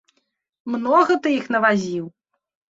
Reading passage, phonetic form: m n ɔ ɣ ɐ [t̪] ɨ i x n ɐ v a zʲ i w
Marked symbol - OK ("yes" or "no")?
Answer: yes